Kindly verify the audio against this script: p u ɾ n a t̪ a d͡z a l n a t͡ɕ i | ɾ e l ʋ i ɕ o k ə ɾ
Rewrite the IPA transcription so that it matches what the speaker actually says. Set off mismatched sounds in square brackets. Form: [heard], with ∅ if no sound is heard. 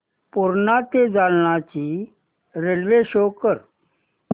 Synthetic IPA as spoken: p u ɾ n a t̪ [e] d͡z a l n a t͡ɕ i | ɾ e l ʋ [e] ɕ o k ə ɾ